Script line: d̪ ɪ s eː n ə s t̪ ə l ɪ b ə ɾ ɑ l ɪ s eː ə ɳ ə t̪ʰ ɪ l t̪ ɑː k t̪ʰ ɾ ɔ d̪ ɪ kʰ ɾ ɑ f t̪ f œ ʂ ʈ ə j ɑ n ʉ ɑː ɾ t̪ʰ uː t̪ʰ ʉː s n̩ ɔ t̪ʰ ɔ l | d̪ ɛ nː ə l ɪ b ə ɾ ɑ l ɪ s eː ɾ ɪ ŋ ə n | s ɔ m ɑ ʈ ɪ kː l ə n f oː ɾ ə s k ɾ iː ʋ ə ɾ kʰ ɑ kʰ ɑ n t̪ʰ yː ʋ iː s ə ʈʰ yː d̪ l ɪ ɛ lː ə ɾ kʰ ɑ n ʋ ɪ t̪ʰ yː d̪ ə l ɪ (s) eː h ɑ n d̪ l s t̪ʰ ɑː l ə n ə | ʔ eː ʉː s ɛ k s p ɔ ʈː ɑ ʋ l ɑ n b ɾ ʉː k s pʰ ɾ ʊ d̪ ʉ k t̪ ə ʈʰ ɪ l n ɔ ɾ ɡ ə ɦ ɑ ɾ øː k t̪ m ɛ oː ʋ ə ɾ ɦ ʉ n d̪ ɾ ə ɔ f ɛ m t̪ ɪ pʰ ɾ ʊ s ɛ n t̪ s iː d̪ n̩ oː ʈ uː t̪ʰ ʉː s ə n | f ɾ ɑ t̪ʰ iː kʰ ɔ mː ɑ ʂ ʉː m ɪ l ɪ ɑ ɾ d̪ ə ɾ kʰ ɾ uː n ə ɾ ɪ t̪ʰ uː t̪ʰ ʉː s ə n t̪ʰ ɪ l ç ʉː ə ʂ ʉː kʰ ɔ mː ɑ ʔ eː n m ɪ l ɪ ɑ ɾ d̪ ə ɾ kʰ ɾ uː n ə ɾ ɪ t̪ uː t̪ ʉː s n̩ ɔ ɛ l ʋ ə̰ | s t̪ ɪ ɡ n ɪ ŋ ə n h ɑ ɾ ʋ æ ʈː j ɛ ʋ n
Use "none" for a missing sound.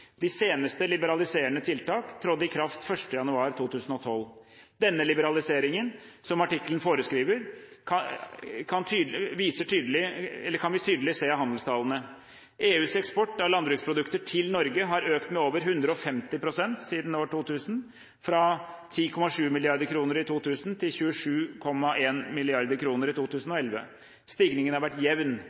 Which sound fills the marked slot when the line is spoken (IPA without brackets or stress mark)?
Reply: s